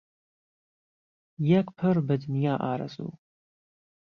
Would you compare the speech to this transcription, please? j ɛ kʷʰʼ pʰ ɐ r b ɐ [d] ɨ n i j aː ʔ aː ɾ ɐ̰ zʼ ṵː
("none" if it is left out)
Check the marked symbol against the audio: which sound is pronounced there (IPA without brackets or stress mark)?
d